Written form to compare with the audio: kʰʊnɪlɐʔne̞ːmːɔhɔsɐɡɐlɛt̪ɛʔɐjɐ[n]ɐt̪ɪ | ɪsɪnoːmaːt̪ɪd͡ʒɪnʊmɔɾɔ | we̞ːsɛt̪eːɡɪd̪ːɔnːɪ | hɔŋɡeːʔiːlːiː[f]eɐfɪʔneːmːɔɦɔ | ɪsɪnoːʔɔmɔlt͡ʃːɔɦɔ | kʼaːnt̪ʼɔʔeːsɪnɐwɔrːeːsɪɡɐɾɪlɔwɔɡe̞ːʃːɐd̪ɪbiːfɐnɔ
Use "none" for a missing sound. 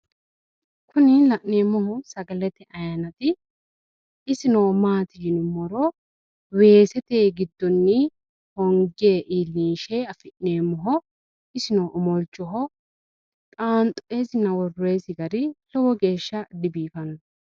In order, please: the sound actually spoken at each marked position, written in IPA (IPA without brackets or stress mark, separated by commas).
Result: n, ʃ